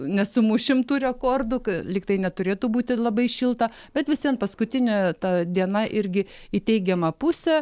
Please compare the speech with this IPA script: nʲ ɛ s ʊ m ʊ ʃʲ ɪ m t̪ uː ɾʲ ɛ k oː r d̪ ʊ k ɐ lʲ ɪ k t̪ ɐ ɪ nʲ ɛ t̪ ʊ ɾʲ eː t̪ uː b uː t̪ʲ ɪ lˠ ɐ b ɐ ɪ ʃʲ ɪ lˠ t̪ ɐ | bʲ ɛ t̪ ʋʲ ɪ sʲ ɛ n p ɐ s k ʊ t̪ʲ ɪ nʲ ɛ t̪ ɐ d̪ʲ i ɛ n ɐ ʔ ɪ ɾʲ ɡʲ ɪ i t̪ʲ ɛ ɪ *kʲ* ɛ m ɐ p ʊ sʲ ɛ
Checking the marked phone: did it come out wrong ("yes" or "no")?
yes